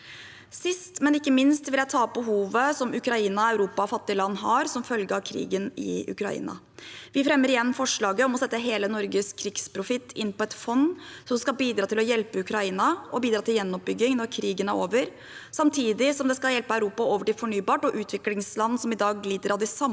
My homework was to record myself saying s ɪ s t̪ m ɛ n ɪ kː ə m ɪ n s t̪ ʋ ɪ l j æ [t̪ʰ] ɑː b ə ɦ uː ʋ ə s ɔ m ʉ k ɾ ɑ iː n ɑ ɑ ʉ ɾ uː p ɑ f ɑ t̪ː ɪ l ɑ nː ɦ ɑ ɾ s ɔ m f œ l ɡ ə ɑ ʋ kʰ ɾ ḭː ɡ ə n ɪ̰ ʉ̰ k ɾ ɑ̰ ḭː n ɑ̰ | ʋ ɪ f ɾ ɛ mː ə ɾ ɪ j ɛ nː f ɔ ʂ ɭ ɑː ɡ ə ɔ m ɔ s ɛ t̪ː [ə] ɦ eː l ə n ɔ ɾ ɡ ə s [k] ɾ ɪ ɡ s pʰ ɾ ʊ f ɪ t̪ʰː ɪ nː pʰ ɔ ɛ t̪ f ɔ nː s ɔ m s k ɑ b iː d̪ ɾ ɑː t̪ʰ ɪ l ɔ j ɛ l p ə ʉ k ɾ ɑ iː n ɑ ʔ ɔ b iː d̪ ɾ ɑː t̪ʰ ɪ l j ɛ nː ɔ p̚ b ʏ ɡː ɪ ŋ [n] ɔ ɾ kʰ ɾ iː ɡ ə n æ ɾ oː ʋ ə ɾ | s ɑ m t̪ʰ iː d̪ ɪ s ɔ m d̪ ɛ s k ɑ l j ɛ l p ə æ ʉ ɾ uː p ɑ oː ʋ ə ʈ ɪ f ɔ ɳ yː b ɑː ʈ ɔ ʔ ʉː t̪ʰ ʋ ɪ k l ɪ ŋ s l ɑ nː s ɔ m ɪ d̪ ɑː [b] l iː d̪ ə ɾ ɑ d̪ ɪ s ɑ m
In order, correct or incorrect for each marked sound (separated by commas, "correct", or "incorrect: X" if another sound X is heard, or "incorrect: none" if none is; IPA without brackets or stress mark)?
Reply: correct, correct, incorrect: kʰ, correct, incorrect: ɡ